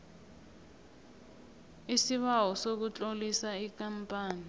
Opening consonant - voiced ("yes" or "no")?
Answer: no